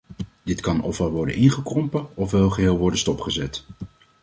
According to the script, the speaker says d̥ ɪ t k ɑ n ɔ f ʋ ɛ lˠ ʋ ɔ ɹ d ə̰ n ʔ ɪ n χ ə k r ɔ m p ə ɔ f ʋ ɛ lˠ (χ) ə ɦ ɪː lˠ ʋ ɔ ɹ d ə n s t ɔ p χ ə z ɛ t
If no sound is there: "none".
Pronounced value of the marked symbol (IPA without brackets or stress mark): χ